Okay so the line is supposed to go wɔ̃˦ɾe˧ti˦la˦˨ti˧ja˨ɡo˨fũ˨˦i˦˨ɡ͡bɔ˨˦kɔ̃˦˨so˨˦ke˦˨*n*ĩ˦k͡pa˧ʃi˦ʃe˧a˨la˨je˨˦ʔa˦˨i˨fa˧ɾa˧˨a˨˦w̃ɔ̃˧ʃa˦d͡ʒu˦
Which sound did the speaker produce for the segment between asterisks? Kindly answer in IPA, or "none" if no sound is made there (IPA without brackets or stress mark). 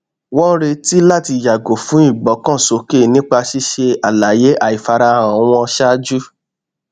n